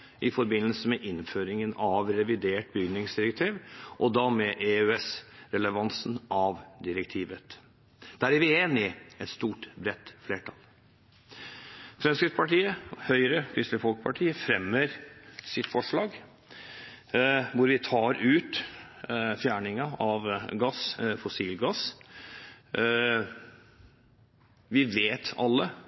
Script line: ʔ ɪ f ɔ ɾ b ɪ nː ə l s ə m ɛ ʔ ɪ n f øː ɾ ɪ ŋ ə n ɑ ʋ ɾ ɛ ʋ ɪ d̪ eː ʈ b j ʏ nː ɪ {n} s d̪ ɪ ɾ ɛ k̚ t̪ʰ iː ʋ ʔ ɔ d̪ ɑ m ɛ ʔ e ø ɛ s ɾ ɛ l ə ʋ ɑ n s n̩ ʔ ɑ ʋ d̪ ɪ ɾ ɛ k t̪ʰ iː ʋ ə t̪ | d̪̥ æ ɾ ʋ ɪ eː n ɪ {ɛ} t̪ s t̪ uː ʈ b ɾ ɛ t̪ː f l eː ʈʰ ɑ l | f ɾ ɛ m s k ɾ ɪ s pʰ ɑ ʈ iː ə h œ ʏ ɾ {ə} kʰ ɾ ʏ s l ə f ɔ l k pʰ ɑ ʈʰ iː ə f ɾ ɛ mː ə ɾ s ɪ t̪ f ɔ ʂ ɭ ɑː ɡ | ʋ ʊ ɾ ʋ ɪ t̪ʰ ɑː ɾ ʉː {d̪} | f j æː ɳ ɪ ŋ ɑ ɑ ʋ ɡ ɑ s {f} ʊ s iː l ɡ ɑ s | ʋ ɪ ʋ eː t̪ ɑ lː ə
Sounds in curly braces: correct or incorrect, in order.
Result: incorrect, correct, correct, incorrect, correct

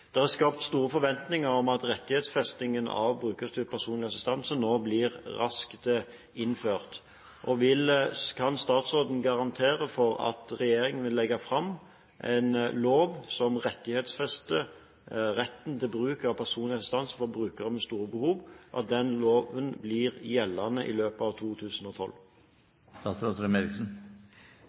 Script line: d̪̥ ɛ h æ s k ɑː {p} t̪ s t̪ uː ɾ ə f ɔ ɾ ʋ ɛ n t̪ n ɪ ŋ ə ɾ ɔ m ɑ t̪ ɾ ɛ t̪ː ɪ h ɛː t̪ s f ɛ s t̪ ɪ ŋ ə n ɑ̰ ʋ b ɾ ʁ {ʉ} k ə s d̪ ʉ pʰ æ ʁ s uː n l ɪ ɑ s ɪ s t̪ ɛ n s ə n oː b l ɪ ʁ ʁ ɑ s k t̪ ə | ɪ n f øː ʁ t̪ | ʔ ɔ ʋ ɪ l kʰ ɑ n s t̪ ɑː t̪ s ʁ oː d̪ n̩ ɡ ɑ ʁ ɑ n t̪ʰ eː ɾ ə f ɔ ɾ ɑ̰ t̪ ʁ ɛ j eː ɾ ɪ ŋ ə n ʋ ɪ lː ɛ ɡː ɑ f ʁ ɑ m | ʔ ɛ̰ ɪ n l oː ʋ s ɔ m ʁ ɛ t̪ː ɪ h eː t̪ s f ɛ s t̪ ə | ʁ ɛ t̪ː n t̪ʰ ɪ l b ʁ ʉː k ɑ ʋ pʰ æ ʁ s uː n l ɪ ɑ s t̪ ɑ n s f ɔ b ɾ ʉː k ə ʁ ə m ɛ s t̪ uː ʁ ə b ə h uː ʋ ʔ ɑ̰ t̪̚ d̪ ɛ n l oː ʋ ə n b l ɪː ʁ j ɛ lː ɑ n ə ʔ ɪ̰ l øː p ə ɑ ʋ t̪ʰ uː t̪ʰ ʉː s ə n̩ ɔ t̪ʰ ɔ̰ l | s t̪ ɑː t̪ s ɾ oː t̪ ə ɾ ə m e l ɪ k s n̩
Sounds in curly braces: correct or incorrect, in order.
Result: correct, incorrect

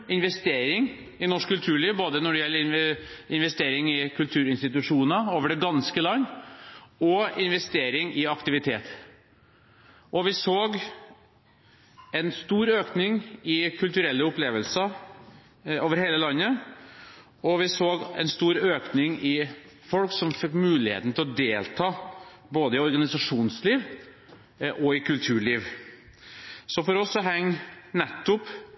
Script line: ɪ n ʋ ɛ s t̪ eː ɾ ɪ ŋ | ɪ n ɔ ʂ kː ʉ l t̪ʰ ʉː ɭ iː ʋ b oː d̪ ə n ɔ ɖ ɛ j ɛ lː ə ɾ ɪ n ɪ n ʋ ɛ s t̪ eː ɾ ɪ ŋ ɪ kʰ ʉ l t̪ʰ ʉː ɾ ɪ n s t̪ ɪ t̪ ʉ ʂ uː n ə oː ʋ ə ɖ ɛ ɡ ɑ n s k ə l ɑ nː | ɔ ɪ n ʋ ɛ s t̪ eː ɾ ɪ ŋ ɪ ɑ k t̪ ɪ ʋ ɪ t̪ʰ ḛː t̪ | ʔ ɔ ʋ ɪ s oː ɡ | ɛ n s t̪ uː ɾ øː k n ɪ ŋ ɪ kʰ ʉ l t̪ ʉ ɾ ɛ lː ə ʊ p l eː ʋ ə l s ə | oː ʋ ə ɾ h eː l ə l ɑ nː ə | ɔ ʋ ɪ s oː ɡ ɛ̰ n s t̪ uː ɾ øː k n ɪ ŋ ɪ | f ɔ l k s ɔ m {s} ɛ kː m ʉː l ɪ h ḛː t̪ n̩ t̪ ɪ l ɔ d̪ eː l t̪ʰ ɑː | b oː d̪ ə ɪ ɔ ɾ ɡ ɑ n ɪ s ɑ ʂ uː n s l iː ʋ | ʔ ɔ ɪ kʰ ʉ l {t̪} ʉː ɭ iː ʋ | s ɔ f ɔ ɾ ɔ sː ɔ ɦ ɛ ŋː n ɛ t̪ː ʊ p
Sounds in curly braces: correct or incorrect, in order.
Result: incorrect, incorrect

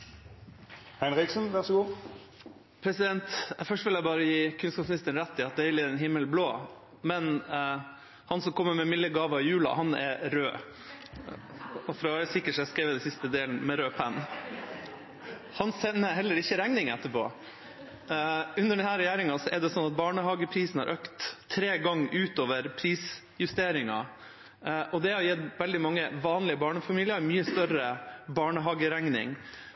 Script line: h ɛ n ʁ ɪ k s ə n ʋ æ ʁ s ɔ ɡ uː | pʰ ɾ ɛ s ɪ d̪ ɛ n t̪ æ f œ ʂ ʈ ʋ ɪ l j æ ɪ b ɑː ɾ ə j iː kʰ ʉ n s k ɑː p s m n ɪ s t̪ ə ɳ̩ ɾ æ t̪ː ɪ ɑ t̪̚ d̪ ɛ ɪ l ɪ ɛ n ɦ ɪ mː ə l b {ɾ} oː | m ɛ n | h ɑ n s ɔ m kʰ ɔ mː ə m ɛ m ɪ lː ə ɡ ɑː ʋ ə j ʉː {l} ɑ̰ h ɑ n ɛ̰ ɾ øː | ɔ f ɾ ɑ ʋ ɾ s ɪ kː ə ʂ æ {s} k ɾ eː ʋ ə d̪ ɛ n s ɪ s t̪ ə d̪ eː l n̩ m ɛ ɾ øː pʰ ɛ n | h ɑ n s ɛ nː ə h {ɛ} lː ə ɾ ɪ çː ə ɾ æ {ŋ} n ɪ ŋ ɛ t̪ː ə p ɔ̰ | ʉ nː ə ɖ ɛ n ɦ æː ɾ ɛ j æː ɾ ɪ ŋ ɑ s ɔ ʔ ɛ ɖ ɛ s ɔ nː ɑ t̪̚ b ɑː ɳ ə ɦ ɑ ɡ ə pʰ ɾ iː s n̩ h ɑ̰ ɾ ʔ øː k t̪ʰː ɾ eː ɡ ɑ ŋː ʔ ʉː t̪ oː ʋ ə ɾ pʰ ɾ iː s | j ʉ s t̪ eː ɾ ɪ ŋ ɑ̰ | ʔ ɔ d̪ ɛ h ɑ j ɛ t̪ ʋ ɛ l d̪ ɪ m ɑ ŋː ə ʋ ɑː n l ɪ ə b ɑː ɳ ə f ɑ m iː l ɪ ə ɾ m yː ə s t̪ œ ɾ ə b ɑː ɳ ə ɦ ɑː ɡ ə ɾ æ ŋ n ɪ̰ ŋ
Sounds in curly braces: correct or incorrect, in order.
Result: incorrect, correct, correct, correct, correct

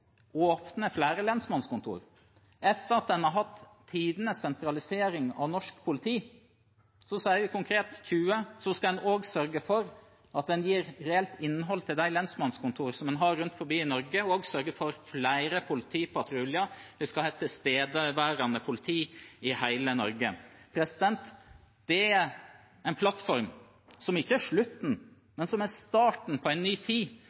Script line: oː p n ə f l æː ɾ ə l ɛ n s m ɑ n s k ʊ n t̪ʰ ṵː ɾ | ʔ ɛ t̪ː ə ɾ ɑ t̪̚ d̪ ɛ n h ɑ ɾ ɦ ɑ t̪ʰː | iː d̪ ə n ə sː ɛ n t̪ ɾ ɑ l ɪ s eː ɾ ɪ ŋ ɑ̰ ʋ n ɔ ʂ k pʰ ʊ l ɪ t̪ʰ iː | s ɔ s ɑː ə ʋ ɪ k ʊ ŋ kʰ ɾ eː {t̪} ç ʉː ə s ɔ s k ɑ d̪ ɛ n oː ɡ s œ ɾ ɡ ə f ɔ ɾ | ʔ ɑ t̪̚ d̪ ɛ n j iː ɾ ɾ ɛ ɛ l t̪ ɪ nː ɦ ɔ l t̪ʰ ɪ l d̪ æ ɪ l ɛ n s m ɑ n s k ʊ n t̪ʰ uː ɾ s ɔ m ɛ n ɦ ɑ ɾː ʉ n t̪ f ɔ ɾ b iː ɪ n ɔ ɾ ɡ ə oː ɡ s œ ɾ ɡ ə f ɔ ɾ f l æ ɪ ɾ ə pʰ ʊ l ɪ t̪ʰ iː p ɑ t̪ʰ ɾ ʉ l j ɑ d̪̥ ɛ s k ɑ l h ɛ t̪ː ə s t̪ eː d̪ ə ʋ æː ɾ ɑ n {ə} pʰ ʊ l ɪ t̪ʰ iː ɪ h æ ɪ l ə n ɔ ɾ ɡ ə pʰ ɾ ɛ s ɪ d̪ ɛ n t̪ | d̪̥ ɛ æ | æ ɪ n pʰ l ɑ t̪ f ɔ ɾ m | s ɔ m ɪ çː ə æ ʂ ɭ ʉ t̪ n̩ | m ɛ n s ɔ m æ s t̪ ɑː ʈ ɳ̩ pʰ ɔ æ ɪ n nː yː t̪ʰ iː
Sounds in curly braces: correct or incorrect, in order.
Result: correct, correct

